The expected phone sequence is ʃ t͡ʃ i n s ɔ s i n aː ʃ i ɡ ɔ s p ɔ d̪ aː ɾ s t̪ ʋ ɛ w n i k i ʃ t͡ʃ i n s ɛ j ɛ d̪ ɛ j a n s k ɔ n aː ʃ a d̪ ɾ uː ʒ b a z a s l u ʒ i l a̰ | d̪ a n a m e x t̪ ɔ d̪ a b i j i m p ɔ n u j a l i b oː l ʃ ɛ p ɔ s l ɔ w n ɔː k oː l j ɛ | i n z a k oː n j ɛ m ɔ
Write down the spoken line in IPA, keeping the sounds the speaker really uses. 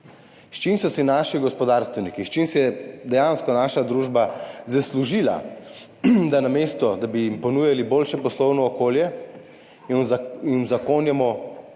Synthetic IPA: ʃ t͡ʃ i n s ɔ s i n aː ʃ i ɡ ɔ s p ɔ d̪ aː ɾ s t̪ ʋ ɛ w n i k i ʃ t͡ʃ i n s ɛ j ɛ d̪ ɛ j a n s k ɔ n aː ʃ a d̪ ɾ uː ʒ b a z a s l u ʒ i l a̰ | d̪ a n a m e s t̪ ɔ d̪ a b i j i m p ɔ n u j a l i b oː l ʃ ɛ p ɔ s l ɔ w n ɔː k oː l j ɛ | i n z a k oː n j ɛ m ɔ